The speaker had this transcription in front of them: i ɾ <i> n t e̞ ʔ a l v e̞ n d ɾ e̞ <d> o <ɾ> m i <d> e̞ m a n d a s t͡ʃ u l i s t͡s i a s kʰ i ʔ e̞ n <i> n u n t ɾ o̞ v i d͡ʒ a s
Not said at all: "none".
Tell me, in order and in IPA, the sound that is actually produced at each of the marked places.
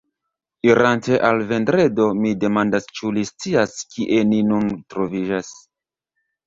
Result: a, d, none, d, i

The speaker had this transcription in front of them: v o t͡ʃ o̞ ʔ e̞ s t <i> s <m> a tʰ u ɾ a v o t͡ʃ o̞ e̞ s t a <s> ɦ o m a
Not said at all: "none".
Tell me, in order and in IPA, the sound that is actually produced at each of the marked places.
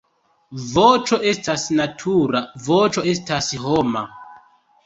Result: a, n, s

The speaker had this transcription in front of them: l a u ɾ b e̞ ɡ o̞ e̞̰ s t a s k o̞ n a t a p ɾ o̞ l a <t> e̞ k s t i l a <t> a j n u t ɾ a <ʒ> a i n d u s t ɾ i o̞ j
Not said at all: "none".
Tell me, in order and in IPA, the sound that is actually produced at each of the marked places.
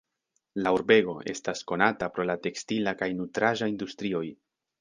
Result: t, k, ʒ

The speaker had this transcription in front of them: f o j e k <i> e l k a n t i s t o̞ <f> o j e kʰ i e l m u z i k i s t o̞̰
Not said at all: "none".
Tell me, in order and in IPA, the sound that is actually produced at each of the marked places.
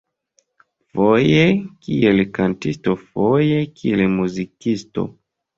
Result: i, f

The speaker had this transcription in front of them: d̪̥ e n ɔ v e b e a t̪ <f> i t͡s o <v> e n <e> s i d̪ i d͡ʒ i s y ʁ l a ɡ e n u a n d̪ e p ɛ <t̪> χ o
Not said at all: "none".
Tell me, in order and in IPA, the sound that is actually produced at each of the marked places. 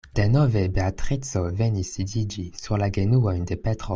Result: χ, v, i, t̪

